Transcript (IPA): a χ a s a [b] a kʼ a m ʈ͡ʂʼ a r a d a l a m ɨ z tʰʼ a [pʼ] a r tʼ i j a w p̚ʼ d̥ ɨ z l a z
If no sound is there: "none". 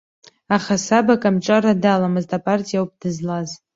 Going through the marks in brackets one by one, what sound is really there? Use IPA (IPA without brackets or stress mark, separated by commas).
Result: b, pʼ